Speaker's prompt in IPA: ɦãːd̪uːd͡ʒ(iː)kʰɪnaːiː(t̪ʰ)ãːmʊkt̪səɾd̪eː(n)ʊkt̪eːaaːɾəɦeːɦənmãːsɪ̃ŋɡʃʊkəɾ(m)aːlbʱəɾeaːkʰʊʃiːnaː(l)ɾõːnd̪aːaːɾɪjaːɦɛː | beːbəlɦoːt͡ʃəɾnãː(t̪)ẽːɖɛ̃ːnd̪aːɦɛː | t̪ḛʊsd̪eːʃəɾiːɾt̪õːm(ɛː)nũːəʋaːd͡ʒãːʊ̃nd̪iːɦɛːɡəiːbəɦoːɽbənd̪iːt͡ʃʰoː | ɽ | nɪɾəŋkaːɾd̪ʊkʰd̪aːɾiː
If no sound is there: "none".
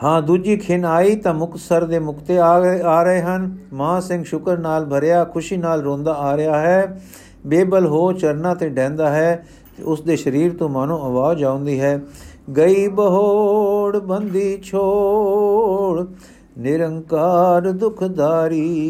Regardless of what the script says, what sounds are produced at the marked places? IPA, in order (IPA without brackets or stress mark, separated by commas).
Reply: iː, t̪, m, n, l, t̪, aː